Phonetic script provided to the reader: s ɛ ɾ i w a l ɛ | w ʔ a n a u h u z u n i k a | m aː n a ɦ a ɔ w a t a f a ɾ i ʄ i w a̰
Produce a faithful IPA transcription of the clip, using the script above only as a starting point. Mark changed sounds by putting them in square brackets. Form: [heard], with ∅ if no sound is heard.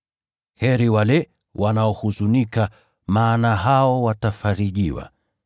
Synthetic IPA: [h] ɛ ɾ i w a l ɛ | w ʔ a n a [ɔ] h u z u n i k a | m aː n a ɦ a ɔ w a t a f a ɾ i ʄ i w a̰